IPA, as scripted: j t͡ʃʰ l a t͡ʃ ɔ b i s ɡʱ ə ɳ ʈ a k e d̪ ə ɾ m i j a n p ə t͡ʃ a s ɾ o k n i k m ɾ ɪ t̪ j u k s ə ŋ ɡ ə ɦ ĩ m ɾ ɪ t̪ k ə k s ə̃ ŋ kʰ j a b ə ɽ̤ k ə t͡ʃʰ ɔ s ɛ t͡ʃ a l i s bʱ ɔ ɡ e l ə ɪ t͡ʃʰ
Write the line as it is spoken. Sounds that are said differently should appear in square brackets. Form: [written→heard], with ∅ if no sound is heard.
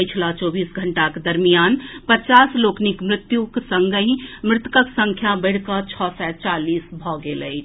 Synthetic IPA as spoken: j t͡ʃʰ l a t͡ʃ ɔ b i s ɡʱ ə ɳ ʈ a k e d̪ ə ɾ m i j a n p ə t͡ʃ a s [ɾ→l] o k n i k m ɾ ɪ t̪ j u k s ə ŋ ɡ ə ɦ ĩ m ɾ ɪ t̪ k ə k s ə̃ ŋ kʰ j a b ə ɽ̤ k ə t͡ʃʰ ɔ s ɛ t͡ʃ a l i s bʱ ɔ ɡ e l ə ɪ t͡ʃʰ